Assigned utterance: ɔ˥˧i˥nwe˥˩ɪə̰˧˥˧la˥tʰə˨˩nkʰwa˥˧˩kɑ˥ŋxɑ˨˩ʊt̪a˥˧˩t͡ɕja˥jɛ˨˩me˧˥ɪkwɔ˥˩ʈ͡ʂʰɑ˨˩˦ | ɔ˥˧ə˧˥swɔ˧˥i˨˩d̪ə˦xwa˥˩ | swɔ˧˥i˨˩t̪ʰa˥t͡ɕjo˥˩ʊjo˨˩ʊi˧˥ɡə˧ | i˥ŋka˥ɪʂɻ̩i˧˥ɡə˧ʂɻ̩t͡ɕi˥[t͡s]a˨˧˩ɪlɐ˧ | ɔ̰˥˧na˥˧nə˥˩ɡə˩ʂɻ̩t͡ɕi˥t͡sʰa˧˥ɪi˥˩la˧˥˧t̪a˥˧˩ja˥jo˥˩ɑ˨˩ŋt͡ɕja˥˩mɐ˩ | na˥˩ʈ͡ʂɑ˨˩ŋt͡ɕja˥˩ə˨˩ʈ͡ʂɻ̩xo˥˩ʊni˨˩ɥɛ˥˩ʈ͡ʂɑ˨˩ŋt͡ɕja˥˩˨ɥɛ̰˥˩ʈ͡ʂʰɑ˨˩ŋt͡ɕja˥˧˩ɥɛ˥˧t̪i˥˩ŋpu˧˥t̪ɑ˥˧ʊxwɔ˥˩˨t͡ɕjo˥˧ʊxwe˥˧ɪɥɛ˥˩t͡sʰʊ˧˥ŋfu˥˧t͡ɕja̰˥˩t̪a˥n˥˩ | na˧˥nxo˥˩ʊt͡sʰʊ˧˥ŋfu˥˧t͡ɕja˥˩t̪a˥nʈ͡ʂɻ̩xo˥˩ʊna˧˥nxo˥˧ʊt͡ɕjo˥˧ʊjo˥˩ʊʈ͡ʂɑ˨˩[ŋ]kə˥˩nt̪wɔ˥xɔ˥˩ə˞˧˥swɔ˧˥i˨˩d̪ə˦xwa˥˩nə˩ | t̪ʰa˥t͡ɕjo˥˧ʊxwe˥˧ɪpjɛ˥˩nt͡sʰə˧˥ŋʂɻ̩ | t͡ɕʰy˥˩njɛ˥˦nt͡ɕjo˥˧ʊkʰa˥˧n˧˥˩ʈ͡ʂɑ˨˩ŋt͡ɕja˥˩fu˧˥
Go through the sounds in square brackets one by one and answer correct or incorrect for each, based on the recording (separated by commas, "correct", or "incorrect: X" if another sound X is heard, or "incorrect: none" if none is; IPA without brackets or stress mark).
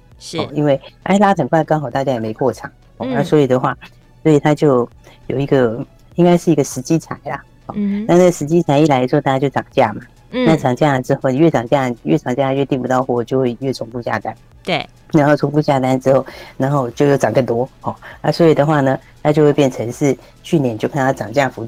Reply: incorrect: t͡sʰ, correct